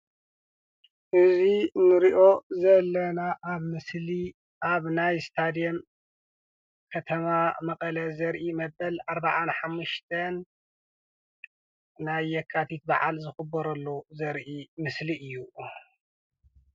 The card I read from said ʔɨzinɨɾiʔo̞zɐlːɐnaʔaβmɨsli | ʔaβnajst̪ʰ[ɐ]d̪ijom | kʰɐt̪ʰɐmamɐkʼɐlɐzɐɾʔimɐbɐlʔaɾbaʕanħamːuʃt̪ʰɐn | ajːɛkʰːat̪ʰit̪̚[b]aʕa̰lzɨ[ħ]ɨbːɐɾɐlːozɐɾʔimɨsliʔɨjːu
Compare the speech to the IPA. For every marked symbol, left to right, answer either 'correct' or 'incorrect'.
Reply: incorrect: a, correct, incorrect: x

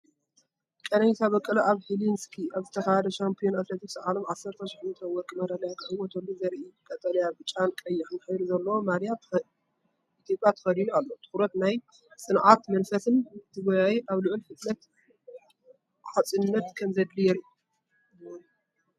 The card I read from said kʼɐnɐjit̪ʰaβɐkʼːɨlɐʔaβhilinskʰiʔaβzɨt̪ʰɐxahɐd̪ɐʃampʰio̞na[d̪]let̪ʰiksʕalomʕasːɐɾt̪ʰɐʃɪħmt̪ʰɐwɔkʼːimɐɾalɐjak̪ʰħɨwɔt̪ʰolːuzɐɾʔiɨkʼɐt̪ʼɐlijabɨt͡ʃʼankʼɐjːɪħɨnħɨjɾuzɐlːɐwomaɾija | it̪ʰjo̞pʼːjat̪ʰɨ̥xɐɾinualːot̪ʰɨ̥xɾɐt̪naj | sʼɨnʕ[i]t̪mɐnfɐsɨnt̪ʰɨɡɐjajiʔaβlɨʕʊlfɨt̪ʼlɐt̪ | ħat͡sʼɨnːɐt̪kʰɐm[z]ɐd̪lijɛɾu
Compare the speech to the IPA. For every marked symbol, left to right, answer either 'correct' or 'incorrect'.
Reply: incorrect: t̪, incorrect: a, correct

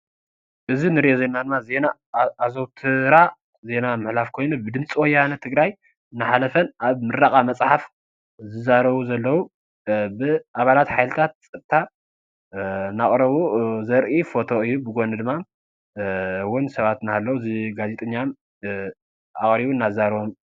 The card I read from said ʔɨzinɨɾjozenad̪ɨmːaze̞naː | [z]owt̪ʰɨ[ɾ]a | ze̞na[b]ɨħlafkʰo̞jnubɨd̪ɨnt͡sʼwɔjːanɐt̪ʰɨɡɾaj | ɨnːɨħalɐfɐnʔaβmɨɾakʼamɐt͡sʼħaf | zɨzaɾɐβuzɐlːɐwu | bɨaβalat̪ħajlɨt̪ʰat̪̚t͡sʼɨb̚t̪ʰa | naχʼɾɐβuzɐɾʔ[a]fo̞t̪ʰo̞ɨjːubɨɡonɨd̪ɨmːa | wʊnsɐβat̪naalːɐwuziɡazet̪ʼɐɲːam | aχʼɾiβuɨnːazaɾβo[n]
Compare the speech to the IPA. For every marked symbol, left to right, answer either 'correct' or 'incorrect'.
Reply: correct, correct, incorrect: m, incorrect: i, incorrect: m

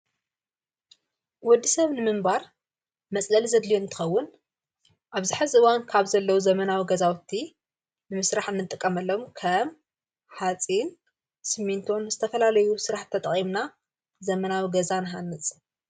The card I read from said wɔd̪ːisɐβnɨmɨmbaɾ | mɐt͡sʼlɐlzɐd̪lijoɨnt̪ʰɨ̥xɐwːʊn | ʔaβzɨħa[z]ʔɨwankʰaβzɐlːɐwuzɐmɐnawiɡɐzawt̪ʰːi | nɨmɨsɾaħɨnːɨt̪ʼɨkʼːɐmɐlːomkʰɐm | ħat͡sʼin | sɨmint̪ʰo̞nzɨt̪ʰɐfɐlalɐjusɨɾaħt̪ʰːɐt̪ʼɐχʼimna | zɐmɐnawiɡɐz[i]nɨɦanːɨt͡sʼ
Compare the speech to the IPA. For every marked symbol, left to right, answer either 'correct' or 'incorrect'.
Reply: correct, incorrect: a

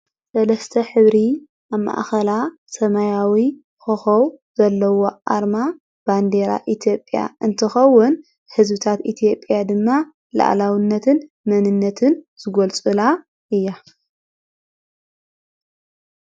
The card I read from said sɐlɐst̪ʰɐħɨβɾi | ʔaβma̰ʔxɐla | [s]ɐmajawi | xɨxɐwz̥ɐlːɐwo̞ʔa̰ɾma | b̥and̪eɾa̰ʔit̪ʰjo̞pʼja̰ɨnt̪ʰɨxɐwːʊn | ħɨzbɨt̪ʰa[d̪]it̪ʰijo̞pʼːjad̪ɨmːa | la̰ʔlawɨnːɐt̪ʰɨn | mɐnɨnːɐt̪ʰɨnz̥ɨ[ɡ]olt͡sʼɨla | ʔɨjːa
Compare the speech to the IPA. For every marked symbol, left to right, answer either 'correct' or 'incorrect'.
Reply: correct, incorrect: t̪, correct

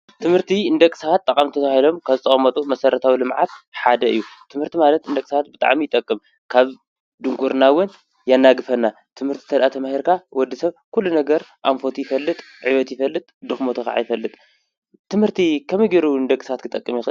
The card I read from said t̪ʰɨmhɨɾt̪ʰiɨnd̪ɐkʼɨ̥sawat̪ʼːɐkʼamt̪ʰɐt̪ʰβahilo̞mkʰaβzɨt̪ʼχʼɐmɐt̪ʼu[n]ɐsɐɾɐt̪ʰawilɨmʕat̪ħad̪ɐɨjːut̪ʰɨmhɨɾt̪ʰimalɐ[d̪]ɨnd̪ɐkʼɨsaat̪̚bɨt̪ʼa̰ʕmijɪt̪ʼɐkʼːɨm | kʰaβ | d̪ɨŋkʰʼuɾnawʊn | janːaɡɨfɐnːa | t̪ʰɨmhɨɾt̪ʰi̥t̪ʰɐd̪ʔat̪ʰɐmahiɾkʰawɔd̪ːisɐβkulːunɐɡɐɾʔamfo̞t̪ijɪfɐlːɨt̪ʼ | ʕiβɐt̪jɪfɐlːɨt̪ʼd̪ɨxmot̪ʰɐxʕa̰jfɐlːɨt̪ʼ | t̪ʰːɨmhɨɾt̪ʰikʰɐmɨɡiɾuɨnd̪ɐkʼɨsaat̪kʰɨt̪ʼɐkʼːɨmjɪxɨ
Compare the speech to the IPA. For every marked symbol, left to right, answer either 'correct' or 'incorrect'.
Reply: incorrect: m, incorrect: t̪

